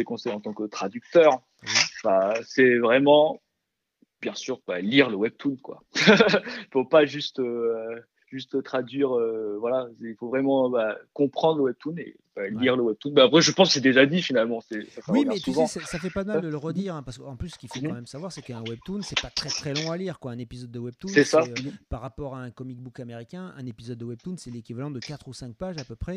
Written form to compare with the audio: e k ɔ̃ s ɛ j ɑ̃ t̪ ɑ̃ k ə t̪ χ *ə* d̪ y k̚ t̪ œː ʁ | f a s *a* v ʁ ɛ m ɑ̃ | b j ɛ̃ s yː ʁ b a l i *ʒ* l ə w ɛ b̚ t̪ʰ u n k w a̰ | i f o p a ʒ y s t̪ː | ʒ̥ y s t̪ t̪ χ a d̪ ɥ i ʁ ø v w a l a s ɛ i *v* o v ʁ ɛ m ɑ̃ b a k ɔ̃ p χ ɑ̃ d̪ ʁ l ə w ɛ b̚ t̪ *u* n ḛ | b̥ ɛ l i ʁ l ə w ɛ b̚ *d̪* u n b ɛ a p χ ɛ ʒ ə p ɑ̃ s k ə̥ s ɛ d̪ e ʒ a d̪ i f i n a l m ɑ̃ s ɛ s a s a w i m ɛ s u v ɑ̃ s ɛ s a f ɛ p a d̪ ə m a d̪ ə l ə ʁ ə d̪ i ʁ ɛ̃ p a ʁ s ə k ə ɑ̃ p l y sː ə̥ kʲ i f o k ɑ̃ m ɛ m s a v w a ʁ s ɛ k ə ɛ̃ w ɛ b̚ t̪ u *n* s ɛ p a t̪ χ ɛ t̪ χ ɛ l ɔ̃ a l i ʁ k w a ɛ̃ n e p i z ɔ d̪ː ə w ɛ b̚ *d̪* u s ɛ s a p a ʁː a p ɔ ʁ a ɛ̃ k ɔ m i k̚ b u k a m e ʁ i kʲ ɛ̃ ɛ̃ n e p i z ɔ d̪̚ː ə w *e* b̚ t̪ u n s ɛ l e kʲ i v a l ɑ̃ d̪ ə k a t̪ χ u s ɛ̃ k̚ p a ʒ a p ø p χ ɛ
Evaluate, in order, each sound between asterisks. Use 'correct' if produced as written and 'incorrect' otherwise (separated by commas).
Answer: incorrect, incorrect, incorrect, incorrect, correct, incorrect, correct, incorrect, incorrect